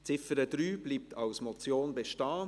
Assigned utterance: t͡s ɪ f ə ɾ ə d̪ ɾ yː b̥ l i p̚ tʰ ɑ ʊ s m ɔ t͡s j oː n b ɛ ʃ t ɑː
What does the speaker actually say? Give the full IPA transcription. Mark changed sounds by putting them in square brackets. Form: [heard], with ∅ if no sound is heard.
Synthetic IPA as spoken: t͡s ɪ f ə ɾ ə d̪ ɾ yː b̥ l [iː] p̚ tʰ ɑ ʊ s m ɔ t͡s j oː n b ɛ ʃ t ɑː